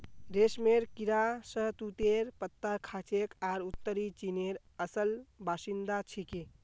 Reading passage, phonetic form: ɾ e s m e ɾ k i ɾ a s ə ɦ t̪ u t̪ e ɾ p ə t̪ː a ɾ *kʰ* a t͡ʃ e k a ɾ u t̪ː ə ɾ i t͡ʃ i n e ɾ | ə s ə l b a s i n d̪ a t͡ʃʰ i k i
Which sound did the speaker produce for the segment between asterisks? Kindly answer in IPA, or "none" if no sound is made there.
kʰ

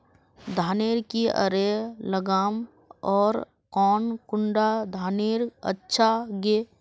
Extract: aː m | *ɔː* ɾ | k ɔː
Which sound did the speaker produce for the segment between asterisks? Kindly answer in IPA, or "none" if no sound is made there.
ɔː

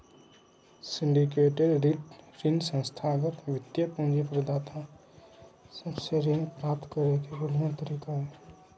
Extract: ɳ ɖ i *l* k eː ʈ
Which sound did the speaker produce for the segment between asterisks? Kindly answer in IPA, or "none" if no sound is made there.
none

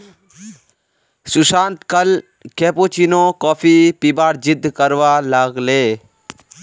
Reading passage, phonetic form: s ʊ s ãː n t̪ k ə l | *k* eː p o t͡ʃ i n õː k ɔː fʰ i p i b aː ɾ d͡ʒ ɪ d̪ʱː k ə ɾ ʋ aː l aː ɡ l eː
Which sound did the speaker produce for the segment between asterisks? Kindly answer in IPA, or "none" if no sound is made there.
k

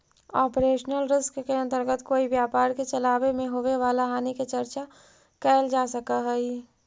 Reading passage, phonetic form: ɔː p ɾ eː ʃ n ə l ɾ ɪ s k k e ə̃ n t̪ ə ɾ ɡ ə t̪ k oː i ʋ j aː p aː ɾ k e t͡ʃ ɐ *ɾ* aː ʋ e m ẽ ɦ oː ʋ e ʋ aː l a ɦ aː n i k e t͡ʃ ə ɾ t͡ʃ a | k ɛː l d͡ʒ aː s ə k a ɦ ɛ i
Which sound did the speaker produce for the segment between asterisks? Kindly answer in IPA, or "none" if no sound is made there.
l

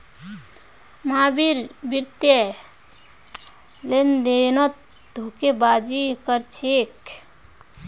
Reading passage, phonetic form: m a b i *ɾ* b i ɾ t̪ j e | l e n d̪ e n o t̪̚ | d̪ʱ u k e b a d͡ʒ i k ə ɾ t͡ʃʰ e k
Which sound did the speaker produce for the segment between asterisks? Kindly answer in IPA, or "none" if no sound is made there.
ɾ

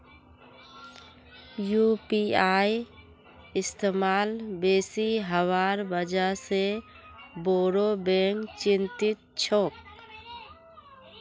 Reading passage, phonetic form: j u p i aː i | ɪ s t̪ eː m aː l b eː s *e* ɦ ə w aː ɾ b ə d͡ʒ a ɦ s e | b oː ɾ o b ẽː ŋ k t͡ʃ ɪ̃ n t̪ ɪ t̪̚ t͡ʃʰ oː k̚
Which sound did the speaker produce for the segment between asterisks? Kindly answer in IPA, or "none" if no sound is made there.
i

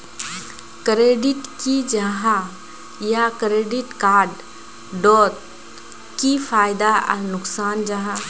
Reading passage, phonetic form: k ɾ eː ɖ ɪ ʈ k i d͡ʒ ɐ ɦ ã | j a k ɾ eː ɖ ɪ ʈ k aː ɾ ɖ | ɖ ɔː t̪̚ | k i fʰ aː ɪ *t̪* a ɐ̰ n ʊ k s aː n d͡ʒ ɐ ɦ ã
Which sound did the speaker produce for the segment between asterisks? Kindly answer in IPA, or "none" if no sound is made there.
d̪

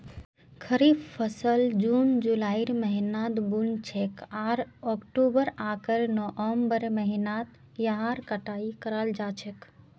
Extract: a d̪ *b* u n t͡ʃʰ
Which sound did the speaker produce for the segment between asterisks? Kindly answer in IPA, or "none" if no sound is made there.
b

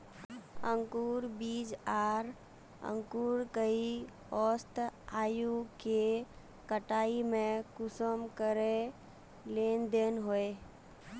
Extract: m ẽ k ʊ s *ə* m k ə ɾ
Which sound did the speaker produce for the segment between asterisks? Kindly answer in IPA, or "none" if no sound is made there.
ə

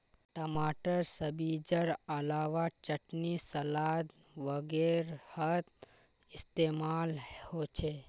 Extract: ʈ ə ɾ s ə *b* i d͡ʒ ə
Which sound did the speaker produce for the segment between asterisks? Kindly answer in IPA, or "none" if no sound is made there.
b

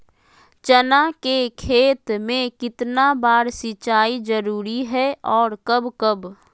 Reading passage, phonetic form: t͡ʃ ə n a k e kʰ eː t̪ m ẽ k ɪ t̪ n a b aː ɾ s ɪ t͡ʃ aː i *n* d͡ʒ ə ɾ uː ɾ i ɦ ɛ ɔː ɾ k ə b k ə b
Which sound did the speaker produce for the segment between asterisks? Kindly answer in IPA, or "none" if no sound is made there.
none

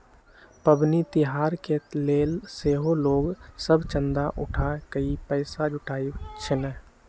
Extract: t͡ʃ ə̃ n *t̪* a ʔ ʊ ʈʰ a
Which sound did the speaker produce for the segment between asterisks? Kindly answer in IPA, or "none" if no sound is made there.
d̪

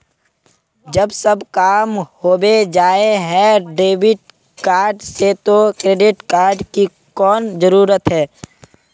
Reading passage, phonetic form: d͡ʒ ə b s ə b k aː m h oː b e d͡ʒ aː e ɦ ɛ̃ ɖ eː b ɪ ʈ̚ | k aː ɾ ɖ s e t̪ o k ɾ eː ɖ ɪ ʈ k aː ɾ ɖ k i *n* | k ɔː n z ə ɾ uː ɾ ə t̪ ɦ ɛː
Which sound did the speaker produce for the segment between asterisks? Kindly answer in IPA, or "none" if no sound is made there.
none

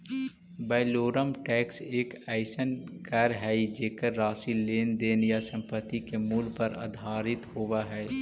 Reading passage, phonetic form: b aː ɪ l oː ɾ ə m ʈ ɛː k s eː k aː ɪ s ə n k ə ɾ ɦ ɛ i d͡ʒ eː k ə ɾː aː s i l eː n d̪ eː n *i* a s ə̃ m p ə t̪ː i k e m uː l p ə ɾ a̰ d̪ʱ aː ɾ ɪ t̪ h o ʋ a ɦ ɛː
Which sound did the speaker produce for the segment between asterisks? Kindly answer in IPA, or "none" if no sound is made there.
j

